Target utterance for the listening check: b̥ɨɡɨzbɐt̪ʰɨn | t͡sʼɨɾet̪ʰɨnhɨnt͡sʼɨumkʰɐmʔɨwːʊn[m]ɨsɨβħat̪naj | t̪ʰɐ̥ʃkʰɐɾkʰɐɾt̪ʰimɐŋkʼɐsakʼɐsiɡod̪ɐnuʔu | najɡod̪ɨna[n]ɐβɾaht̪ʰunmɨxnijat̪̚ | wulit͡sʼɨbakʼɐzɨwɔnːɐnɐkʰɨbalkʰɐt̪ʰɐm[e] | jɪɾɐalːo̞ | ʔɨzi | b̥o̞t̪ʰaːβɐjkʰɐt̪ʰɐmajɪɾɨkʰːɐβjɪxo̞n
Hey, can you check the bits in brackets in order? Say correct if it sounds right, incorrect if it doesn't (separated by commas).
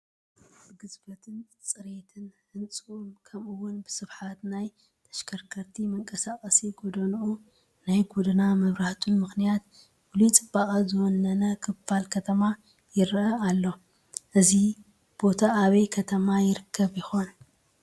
incorrect, incorrect, incorrect